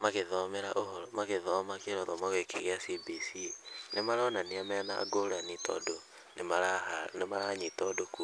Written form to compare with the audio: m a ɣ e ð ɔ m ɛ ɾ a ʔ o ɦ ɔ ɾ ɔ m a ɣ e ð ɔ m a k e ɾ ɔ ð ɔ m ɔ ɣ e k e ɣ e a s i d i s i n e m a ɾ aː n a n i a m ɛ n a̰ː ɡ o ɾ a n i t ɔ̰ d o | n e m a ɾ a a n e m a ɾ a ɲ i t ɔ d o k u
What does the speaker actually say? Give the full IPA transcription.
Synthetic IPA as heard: m a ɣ e ð ɔ m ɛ ɾ a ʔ o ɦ ɔ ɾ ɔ m a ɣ e ð ɔ m a k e ɾ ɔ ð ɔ m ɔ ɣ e k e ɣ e a s i b i s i n e m a ɾ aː n a n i a m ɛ n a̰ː ɡ o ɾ a n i t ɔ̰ d o | n e m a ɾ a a n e m a ɾ a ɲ i t ɔ d o k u